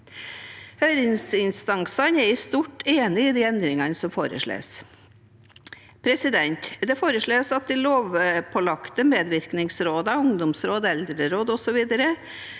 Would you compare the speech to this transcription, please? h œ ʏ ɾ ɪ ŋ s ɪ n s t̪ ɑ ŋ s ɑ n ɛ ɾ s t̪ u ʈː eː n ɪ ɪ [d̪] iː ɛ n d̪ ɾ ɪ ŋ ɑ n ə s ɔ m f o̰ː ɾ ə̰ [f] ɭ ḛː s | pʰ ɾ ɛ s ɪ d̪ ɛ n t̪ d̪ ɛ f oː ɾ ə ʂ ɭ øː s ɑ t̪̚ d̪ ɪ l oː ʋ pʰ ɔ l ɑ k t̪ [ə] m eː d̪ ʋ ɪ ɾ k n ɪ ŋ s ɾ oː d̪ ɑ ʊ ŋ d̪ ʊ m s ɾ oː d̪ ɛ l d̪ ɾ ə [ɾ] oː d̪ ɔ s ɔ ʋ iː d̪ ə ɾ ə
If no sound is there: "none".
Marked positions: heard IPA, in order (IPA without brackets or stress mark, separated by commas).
d̪, ʂ, ə, ɾ